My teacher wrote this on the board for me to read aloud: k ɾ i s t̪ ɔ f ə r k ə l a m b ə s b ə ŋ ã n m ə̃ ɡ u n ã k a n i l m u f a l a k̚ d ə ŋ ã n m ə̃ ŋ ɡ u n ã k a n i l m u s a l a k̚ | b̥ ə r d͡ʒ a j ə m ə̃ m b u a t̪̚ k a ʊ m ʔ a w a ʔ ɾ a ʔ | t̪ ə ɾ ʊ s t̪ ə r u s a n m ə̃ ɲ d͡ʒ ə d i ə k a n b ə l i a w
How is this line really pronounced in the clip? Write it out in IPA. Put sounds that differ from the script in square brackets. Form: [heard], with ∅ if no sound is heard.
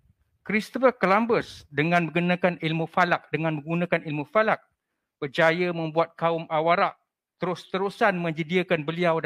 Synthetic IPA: k ɾ i s t̪ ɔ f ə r k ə l a m b ə s [d] ə ŋ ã n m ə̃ ɡ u n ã k a n i l m u f a l a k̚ d ə ŋ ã n m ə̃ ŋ ɡ u n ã k a n i l m u [f] a l a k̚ | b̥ ə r d͡ʒ a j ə m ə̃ m b u a t̪̚ k a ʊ m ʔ a w a [∅] ɾ a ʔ | t̪ ə ɾ ʊ s t̪ ə [ɾ] u s a n m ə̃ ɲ d͡ʒ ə d i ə k a n b ə l i a w